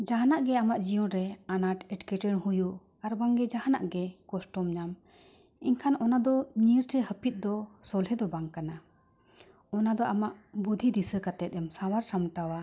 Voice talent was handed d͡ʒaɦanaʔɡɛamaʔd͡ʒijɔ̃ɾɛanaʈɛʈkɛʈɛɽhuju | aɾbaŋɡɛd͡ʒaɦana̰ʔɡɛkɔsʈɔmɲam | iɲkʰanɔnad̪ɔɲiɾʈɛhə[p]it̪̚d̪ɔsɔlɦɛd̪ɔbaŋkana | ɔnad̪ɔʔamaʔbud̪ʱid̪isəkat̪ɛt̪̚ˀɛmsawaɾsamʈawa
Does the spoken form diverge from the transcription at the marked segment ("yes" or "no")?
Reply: no